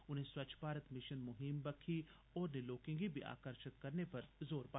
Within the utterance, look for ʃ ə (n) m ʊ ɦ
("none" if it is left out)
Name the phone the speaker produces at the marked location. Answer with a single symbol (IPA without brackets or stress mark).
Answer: n